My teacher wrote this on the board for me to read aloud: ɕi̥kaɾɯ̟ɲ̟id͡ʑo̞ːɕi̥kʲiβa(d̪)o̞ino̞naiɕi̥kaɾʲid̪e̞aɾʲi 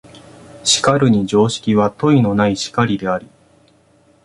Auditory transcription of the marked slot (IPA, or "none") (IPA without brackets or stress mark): t̪